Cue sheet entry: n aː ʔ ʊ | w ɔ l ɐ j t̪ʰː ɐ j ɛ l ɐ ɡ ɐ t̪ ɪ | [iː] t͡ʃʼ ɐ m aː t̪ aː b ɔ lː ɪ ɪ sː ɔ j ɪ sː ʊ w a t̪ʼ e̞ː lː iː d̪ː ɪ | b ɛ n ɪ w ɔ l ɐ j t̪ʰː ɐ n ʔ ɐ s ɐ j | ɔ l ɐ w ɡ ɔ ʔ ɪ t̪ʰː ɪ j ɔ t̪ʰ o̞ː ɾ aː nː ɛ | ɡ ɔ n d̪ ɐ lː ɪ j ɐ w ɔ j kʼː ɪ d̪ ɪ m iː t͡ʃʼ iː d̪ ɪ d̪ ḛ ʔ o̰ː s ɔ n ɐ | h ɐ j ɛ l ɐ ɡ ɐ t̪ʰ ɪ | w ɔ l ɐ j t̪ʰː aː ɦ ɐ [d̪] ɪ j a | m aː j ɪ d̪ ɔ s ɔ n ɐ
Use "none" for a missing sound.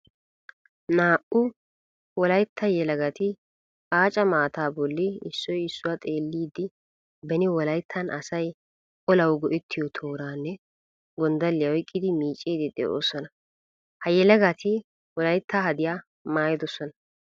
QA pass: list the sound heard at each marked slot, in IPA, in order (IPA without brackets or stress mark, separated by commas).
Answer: aː, d̪